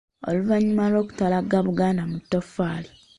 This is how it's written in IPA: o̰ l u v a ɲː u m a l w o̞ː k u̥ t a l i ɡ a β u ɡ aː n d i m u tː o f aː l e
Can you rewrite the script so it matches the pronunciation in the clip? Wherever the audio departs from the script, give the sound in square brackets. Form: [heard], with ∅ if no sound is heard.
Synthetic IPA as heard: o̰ l u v a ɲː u m a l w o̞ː k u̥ t a l [a] ɡ a β u ɡ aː n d [a] m u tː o f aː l [i]